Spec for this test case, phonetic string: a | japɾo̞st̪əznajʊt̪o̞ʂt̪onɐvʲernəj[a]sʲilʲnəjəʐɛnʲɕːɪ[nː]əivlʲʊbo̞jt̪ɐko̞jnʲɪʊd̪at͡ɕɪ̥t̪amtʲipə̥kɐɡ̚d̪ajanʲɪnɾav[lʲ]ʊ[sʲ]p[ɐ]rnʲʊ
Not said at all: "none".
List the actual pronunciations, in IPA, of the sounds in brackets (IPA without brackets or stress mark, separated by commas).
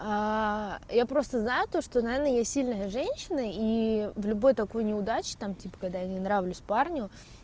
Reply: a, n, lʲ, sʲ, a